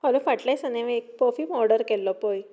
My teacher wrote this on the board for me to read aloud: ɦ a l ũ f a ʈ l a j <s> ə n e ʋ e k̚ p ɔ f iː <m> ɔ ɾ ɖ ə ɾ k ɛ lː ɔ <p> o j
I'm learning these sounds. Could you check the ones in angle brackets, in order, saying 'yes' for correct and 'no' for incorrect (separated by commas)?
yes, yes, yes